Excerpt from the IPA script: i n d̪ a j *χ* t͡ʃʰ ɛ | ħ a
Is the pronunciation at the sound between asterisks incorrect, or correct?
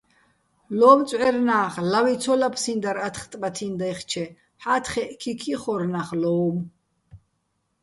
correct